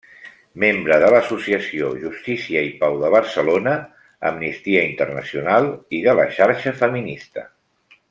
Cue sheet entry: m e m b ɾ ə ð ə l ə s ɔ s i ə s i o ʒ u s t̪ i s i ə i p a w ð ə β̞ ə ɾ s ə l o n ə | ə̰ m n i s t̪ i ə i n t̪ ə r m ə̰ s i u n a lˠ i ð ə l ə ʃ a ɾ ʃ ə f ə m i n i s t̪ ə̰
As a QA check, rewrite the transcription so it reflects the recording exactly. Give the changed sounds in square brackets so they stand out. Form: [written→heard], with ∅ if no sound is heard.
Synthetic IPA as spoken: m e m b ɾ ə ð ə l ə s [ɔ→u] s i ə s i o ʒ u s t̪ i s i ə i p a w ð ə β̞ ə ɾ s ə l o n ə | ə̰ m n i s t̪ i ə i n t̪ ə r [m→n] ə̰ s i u n a lˠ i ð ə l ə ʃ a ɾ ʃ ə f ə m i n i s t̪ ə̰